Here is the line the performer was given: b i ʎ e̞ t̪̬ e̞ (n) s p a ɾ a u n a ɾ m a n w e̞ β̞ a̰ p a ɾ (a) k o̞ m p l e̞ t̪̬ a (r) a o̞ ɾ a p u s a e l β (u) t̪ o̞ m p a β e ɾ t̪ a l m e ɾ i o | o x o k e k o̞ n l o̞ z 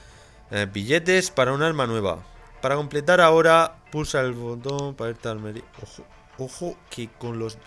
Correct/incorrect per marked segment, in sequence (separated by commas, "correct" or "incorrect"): incorrect, correct, incorrect, incorrect